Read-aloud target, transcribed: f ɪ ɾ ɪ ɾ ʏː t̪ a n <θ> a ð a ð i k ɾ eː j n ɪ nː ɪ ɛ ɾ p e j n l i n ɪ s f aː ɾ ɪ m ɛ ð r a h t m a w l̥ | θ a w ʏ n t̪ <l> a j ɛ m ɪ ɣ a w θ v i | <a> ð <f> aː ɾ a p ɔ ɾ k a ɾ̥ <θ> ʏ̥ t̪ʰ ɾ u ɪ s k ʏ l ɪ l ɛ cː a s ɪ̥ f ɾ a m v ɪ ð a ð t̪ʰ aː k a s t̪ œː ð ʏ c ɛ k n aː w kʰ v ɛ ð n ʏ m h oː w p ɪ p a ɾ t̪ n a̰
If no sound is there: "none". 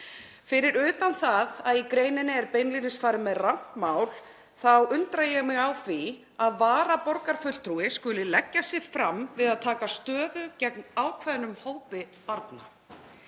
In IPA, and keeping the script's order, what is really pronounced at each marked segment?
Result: θ, ɾ, a, v, f

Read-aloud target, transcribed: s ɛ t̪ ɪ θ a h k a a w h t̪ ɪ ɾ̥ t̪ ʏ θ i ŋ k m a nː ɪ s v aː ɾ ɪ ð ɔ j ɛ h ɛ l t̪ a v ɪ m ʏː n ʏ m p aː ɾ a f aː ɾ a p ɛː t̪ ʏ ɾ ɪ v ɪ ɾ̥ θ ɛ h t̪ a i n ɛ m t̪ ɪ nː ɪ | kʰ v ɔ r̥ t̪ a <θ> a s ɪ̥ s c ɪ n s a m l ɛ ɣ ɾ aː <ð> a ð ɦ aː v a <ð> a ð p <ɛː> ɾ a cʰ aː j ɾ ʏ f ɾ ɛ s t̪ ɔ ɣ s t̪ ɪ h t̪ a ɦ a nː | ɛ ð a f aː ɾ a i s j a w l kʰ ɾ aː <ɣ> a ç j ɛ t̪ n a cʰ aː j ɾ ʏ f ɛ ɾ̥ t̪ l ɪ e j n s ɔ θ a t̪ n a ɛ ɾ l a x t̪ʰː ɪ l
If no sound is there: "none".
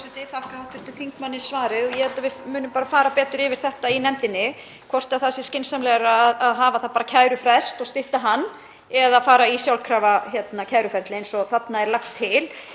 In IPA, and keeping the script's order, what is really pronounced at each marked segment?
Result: θ, ð, θ, aː, v

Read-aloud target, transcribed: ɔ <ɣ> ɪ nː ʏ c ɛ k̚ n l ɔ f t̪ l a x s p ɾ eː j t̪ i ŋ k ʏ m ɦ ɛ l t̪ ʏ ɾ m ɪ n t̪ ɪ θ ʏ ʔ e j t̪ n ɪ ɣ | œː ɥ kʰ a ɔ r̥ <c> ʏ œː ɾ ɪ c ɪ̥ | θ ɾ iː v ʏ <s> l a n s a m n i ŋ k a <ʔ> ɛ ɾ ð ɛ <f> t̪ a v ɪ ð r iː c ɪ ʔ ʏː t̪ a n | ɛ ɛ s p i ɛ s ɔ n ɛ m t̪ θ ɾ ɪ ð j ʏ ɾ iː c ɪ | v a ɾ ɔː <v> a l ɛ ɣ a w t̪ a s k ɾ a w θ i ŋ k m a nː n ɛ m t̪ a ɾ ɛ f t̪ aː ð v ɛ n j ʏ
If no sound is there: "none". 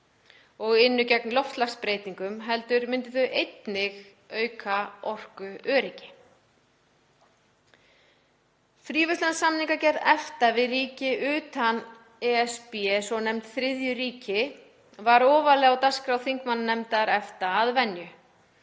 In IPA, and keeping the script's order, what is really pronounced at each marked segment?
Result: ɣ, k, s, c, f, v

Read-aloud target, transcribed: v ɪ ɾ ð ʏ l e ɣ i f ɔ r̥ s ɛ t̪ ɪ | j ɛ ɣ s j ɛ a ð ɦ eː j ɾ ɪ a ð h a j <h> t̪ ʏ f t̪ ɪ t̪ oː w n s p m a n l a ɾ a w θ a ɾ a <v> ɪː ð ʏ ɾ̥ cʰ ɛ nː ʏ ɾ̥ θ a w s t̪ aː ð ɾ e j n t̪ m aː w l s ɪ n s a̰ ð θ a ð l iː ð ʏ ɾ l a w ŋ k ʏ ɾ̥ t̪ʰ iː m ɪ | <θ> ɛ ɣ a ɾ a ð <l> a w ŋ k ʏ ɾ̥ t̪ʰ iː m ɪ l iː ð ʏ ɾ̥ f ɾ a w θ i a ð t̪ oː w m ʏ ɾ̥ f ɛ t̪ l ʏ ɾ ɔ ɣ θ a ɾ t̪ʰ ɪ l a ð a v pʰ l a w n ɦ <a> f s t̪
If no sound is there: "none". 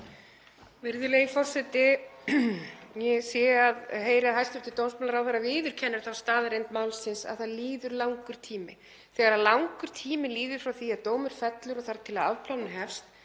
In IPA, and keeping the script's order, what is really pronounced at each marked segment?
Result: s, v, θ, l, ɛ

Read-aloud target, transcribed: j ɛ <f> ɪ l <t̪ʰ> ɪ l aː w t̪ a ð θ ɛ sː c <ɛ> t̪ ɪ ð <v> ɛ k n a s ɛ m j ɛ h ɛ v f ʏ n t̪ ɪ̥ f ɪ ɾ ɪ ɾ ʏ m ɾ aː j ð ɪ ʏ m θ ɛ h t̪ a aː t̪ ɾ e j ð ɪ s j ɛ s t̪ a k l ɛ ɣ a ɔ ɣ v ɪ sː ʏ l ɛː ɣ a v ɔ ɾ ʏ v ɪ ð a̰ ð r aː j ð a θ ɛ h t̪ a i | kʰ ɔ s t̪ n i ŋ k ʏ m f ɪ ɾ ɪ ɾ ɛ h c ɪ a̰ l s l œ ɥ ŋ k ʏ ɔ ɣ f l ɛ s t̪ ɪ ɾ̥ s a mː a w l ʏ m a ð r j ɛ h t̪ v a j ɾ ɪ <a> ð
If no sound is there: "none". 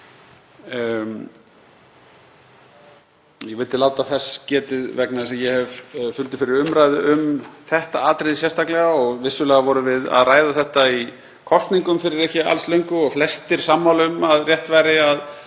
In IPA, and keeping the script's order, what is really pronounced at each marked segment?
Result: v, t̪, ɛː, v, a

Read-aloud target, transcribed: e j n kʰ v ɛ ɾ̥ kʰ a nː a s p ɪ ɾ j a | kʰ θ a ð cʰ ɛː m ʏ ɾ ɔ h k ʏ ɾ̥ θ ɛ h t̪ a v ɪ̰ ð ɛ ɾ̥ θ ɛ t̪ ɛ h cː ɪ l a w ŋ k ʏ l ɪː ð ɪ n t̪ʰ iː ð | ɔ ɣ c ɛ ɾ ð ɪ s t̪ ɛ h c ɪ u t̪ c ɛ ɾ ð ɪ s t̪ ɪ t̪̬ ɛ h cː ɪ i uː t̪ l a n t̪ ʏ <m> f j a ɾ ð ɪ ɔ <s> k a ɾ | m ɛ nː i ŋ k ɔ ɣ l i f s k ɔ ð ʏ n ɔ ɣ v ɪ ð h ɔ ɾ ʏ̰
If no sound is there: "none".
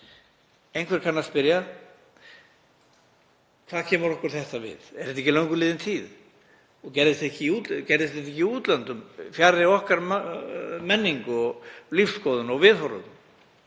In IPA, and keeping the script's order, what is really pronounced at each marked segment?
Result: m, h

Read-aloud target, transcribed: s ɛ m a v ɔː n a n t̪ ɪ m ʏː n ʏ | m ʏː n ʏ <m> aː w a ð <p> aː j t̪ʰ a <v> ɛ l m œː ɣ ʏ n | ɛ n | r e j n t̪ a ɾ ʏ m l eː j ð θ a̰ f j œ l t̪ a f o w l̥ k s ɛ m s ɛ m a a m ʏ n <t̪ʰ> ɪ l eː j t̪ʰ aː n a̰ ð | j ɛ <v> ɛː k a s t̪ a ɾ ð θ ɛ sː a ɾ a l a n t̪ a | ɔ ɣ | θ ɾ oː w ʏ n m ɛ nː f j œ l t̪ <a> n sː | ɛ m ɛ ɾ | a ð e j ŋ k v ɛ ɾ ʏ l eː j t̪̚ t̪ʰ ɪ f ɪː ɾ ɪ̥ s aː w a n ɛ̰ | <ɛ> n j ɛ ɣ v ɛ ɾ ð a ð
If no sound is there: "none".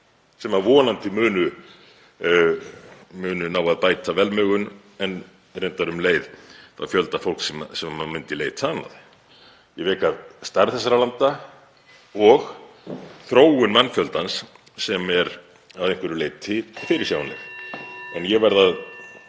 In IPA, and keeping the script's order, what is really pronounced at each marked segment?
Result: n, p, v, t̪, v, a, ɛ

